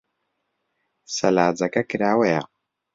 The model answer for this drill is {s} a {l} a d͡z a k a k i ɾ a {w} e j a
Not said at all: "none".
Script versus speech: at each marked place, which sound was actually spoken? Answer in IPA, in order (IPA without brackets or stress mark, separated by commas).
s, l, w